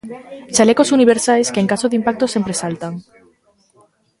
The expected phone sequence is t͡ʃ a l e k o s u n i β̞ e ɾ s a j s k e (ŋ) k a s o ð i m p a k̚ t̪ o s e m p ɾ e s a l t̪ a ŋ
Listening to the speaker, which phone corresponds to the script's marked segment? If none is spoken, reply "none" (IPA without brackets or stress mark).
ŋ